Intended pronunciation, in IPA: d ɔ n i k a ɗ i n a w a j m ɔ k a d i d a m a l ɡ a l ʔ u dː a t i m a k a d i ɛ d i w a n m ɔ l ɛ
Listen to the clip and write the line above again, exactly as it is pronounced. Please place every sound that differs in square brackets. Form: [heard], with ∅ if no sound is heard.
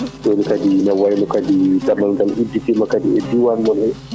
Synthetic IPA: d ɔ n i k a [d] i n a w a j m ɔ k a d i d a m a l ɡ a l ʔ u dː [i] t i m a k a d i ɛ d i w a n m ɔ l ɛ